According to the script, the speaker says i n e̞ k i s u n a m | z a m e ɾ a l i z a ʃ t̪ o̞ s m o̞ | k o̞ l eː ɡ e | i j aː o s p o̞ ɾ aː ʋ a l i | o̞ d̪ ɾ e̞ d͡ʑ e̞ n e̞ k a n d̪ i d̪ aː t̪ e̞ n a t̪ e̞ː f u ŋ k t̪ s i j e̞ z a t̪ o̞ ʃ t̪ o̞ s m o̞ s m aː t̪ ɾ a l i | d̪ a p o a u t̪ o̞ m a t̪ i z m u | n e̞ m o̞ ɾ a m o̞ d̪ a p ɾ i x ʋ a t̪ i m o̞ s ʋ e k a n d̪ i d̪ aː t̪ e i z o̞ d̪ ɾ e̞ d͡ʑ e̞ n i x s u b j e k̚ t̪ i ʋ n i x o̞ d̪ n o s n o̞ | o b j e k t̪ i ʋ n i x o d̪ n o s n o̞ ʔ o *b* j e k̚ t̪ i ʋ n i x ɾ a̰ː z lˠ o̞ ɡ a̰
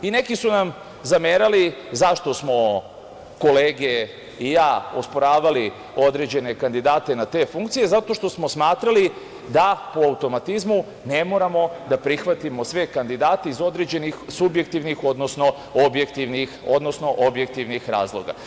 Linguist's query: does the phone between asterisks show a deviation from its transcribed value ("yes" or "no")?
no